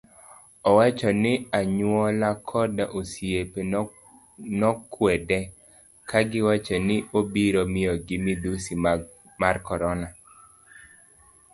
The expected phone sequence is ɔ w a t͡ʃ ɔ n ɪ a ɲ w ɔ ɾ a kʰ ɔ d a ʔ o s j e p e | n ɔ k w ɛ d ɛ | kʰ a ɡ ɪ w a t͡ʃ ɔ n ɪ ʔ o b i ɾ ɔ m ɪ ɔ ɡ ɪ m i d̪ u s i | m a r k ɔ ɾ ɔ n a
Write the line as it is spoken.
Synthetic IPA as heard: ɔ w a t͡ʃ ɔ n ɪ a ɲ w ɔ l a kʰ ɔ d a ʔ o s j e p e | n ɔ k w ɛ d ɛ | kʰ a ɡ ɪ w a t͡ʃ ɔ n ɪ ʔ o b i ɾ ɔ m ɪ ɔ ɡ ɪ m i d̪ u s i | m a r k ɔ ɾ ɔ n a